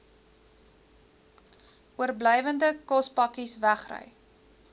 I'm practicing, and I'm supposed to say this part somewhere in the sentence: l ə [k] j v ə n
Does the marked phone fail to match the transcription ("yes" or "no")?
yes